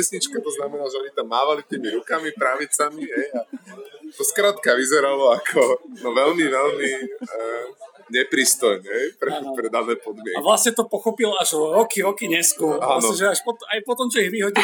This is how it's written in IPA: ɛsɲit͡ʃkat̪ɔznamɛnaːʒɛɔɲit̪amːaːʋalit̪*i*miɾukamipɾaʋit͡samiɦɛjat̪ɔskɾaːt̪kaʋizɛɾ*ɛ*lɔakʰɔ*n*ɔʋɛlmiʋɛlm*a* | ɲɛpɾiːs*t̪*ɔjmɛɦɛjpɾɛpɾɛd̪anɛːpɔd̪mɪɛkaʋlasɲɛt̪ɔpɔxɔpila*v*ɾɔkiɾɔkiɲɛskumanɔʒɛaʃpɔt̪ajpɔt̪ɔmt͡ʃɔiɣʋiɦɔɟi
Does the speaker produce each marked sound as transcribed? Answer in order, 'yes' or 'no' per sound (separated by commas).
no, no, yes, no, yes, no